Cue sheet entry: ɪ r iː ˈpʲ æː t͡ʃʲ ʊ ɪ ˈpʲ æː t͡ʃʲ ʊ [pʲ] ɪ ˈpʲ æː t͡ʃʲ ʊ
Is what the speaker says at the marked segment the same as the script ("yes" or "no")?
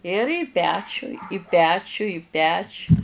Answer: no